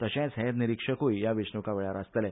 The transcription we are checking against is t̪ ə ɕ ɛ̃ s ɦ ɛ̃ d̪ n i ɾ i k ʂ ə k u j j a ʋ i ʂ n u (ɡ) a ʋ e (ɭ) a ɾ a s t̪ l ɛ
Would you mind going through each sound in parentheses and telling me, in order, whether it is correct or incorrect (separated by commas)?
incorrect, correct